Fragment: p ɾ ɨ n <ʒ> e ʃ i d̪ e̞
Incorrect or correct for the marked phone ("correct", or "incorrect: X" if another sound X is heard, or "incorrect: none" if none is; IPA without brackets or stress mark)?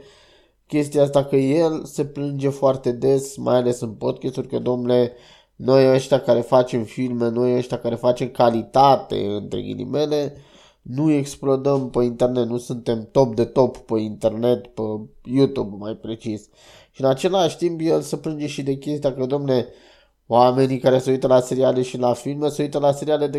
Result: incorrect: d͡ʒ